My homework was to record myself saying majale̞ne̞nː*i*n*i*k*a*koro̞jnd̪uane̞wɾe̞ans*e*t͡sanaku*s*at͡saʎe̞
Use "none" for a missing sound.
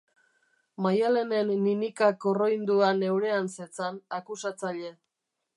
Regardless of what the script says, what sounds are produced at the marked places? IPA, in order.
i, i, a, e, s

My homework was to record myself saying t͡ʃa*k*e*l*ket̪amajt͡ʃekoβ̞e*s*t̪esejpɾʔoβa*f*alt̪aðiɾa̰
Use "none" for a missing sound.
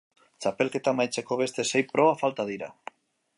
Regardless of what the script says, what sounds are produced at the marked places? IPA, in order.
p, l, s, f

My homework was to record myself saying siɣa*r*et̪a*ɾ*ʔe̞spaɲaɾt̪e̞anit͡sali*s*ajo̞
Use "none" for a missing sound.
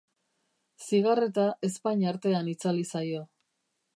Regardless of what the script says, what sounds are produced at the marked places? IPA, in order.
r, none, s

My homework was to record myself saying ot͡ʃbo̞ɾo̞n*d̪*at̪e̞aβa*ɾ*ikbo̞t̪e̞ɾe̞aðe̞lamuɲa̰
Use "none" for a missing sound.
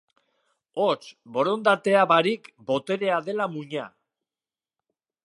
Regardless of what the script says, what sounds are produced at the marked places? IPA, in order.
d̪, ɾ

